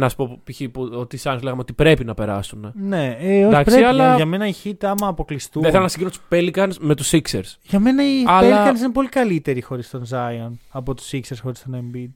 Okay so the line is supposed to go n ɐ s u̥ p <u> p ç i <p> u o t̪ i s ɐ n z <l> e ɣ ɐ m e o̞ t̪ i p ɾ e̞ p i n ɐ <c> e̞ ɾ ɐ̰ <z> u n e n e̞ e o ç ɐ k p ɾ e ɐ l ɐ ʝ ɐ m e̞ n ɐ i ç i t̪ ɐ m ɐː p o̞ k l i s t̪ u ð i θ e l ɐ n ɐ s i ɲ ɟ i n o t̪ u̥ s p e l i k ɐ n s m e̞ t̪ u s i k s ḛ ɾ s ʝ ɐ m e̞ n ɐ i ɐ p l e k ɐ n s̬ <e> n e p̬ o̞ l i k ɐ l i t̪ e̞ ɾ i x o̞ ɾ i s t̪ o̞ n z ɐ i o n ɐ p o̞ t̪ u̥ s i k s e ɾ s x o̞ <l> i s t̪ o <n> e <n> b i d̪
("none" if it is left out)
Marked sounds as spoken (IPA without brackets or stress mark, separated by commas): o, p, l, p, s, i, ɾ, n, m